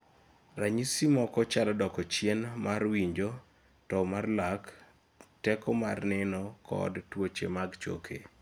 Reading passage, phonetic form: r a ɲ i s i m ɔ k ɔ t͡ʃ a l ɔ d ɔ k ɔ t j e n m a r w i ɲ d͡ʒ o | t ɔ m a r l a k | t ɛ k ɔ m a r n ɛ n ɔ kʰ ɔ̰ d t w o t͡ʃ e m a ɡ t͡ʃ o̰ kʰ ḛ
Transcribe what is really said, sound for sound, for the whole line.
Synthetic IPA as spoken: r a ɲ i s i m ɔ k ɔ t͡ʃ a l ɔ d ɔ k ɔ t͡ʃ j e n m a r w i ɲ d͡ʒ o | t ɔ m a r l a k | t ɛ k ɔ m a r n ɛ n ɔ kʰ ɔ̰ d t w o t͡ʃ e m a ɡ t͡ʃ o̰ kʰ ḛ